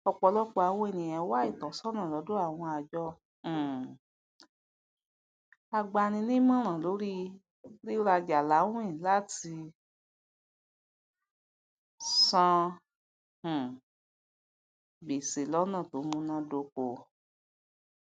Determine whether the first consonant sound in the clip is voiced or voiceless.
voiceless